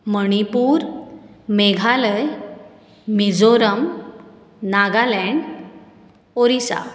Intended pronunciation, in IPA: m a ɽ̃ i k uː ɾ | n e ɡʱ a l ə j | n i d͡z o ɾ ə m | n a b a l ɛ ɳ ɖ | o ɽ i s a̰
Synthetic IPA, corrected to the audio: m ə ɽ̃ i p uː ɾ | m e ɡʱ a l ə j | m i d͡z o ɾ ə m | n a ɡ a l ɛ ɳ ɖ | o ɾ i s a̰